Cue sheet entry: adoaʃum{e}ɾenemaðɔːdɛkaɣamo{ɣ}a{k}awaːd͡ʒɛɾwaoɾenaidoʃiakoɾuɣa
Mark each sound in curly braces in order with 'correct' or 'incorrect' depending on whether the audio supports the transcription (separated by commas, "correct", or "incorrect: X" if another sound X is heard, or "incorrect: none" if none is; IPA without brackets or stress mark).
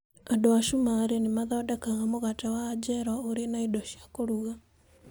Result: incorrect: a, correct, incorrect: t